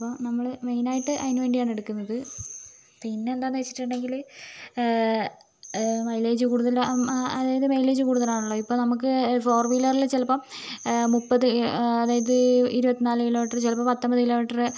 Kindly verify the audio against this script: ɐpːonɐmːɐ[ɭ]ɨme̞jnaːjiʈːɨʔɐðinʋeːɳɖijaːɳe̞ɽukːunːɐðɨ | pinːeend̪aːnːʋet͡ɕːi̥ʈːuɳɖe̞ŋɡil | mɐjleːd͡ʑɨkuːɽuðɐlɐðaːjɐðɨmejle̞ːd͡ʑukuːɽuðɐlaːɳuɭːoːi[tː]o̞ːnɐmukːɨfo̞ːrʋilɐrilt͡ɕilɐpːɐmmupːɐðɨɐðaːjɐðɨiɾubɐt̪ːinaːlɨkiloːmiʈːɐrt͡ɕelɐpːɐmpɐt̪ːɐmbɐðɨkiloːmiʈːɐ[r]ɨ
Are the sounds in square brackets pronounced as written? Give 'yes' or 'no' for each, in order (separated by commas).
yes, no, yes